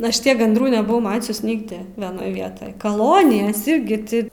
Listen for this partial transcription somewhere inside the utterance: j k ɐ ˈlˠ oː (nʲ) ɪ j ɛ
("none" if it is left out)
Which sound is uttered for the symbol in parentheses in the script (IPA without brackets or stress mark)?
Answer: nʲ